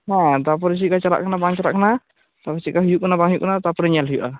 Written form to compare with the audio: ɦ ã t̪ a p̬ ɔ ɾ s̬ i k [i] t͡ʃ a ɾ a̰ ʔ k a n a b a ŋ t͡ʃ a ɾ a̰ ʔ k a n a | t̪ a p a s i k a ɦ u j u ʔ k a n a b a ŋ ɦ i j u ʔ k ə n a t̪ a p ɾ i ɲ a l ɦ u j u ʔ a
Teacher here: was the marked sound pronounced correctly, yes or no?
no